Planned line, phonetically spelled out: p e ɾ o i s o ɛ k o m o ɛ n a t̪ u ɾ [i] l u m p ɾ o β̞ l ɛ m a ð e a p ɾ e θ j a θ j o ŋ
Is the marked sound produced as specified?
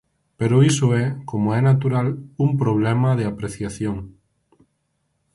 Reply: no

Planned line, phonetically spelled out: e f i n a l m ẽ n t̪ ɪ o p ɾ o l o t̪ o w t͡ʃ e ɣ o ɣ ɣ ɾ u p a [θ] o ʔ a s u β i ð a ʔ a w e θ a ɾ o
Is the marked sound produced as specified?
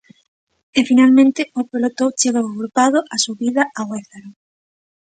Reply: no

